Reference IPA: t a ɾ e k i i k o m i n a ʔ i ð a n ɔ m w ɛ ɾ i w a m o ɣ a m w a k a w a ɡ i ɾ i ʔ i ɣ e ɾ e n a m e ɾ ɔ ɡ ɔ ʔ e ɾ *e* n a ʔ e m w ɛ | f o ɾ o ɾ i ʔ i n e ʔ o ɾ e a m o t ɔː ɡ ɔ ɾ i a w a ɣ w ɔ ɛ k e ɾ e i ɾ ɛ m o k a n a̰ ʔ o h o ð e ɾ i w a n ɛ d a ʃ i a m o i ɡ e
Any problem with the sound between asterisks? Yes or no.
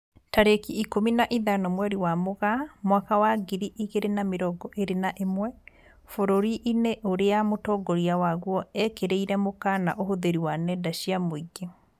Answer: no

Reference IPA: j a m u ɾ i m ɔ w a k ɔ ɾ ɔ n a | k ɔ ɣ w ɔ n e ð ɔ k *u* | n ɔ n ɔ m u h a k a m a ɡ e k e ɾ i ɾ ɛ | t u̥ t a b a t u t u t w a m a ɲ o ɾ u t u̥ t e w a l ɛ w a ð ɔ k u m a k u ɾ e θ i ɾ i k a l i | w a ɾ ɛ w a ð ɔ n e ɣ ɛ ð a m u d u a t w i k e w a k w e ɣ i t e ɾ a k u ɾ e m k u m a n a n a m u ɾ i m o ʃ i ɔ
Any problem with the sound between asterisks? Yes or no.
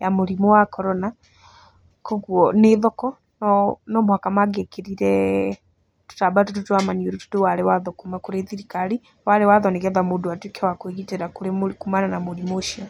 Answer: yes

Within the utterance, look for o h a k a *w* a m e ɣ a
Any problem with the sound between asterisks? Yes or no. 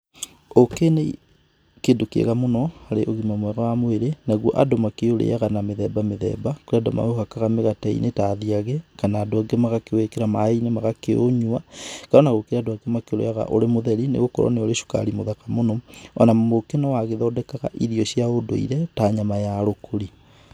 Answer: yes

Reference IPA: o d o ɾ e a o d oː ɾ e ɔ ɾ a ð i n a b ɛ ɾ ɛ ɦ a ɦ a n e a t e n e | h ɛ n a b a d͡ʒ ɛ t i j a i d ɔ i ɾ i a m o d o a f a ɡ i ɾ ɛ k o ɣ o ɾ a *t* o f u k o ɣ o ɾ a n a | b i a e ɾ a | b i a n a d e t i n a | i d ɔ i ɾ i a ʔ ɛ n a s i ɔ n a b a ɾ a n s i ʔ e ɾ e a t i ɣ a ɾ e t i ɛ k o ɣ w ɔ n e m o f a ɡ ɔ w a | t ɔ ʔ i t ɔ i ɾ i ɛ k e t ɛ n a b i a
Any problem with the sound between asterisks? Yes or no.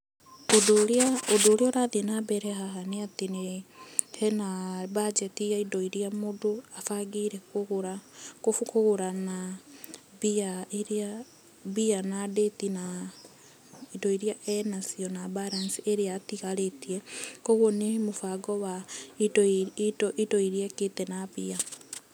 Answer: yes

